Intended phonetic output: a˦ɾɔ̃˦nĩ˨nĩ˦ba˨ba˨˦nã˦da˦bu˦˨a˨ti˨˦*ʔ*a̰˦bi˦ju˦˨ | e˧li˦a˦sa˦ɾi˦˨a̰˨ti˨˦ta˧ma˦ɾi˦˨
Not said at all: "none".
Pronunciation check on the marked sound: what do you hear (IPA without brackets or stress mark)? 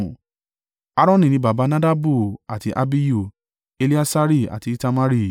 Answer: ʔ